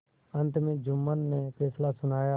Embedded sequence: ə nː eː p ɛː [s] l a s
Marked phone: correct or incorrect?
correct